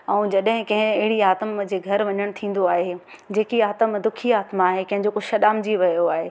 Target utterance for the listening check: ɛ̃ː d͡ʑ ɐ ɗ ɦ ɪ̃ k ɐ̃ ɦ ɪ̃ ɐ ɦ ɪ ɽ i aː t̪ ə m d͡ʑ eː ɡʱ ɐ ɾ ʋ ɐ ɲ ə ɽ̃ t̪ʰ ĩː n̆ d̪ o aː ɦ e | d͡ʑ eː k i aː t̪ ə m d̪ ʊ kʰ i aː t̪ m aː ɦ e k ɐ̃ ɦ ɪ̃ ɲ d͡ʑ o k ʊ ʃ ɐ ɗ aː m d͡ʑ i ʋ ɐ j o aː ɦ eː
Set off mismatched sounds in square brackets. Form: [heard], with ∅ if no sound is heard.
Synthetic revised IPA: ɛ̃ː d͡ʑ ɐ ɗ ɦ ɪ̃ k ɐ̃ ɦ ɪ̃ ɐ ɦ ɪ ɽ i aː t̪ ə m d͡ʑ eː ɡʱ ɐ ɾ ʋ ɐ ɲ ə ɽ̃ t̪ʰ ĩː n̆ d̪ o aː ɦ e | d͡ʑ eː k i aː t̪ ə m d̪ ʊ kʰ i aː t̪ m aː ɦ e k ɐ̃ ɦ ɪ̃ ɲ d͡ʑ o k ʊ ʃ ɐ ɗ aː m d͡ʑ i ʋ ɐ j o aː ɦ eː